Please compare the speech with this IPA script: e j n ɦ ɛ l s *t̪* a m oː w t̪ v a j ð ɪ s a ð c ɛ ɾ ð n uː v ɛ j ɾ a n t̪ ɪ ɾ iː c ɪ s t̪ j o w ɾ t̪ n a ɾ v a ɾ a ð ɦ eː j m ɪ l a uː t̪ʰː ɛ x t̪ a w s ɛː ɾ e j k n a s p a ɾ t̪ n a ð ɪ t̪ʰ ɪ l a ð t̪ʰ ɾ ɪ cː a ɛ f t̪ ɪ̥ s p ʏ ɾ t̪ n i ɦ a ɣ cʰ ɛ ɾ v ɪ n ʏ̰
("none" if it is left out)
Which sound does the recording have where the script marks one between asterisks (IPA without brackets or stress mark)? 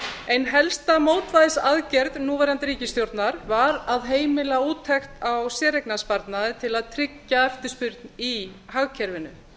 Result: t̪